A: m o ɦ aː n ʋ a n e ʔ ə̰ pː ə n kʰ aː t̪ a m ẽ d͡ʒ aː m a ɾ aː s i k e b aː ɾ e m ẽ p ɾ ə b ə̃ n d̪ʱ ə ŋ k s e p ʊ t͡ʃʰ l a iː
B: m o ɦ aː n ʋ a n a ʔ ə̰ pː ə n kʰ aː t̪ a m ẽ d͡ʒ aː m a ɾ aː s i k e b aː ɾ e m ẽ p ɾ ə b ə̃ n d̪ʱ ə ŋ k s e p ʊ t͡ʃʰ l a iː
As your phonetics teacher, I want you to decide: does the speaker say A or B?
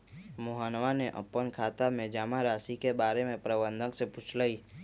A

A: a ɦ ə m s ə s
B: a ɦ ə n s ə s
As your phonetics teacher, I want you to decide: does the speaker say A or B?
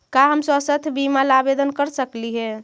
A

